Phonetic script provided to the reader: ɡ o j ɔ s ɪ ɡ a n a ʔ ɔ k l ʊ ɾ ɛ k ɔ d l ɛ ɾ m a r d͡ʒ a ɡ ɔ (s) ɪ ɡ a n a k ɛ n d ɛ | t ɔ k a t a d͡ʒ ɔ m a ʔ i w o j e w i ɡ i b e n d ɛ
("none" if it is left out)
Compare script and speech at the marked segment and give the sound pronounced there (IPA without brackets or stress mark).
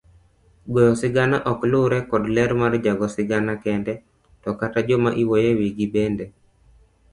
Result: s